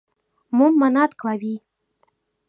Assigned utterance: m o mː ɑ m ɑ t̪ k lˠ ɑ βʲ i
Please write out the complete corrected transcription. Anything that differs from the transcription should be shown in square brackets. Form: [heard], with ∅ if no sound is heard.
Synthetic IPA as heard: m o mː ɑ [n] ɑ t̪ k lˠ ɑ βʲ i